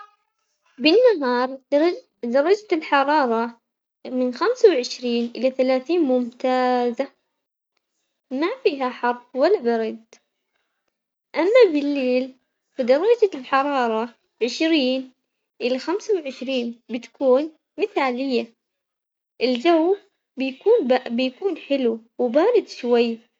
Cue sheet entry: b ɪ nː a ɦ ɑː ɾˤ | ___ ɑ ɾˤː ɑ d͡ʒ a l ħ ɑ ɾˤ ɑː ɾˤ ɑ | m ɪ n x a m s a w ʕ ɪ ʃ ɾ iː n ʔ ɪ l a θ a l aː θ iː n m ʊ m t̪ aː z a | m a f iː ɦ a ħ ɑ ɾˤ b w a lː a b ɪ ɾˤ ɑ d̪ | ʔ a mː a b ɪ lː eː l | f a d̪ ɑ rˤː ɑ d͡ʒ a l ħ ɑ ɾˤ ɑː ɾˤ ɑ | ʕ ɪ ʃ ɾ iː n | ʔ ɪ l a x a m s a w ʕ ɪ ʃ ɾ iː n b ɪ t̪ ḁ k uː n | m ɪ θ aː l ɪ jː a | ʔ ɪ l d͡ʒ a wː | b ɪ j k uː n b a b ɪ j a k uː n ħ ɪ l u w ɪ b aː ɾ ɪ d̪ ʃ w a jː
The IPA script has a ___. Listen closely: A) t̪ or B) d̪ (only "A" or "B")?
B